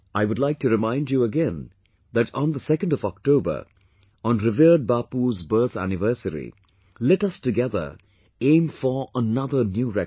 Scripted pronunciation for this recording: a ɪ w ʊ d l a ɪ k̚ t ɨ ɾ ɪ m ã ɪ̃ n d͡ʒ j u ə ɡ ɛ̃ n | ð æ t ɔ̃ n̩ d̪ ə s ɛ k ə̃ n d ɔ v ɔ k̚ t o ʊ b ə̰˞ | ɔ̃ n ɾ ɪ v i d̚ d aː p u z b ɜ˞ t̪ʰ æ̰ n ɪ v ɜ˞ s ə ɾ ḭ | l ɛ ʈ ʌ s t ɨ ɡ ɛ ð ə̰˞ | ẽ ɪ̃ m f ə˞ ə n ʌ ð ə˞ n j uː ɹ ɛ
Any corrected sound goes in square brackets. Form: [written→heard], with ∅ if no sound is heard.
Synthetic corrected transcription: a ɪ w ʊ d l a ɪ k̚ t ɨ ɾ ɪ m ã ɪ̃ n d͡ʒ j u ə ɡ ɛ̃ n | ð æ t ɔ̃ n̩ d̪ ə s ɛ k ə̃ n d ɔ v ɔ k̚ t o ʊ b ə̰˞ | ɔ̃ n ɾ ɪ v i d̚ [d→b] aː p u z b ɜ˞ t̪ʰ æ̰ n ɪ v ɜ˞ s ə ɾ ḭ | l ɛ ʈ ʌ s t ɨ ɡ ɛ ð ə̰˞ | ẽ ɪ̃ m f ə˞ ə n ʌ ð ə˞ n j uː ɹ ɛ